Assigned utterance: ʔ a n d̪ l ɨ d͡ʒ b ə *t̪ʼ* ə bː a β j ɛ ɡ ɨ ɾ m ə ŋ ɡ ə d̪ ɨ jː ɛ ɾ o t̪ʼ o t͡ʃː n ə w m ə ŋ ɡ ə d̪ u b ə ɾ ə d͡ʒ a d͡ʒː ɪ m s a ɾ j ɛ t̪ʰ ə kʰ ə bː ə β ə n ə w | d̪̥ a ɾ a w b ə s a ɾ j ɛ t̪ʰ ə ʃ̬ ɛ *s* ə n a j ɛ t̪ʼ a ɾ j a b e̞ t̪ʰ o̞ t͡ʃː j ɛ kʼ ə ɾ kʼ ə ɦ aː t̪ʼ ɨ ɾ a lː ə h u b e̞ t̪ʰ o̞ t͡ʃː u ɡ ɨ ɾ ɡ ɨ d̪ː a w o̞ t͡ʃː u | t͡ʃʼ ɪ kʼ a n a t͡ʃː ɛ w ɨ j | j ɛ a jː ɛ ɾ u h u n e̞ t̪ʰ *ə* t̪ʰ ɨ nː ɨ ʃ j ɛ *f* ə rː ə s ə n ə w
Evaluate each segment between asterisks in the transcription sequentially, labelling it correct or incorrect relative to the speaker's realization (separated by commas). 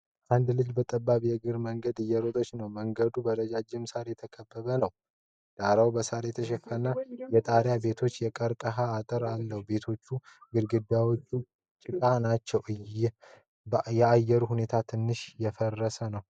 correct, incorrect, incorrect, correct